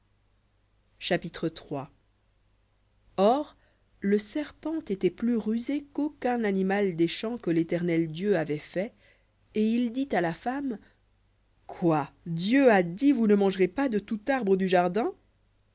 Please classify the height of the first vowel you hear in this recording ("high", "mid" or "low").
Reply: low